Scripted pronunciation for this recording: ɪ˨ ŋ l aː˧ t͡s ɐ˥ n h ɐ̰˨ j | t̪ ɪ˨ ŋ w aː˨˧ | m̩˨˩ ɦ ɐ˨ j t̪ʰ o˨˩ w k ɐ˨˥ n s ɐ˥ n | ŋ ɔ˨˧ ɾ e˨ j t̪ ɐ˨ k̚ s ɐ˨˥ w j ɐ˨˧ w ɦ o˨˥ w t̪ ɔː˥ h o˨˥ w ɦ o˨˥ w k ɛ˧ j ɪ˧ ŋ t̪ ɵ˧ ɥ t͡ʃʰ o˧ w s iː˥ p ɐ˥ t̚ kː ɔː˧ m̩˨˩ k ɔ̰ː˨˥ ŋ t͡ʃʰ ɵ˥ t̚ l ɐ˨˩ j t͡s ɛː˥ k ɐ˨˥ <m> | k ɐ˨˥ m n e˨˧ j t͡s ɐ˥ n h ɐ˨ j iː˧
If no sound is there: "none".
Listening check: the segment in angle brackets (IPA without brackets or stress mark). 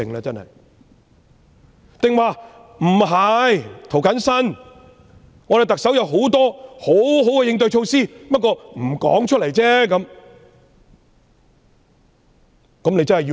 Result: m